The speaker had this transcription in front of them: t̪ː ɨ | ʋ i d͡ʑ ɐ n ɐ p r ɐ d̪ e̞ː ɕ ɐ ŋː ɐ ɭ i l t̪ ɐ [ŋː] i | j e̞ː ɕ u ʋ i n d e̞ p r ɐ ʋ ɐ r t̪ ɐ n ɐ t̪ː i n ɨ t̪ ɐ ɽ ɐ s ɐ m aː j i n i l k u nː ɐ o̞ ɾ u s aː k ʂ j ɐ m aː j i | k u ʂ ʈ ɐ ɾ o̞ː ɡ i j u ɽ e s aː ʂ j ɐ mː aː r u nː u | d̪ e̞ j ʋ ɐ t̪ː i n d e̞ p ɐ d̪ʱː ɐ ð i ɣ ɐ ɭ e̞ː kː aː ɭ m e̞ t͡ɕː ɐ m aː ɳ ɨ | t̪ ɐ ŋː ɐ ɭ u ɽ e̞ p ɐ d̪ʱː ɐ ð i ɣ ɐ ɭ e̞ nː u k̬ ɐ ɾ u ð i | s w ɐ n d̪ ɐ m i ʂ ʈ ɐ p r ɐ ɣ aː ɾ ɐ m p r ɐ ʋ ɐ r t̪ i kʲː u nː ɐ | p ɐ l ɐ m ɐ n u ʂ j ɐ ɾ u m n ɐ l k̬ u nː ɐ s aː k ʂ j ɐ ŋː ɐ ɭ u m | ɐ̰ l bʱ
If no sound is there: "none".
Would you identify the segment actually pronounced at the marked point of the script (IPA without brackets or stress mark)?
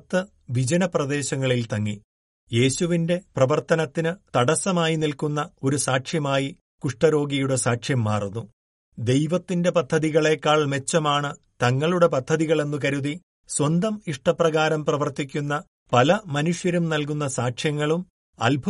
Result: ŋː